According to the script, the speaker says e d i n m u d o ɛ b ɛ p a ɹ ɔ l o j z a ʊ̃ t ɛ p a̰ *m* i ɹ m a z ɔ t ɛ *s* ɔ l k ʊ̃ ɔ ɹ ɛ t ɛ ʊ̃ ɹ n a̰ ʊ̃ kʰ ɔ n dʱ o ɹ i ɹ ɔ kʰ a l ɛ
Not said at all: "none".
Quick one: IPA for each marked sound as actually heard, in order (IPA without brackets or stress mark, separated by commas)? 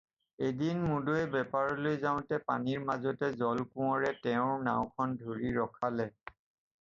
n, z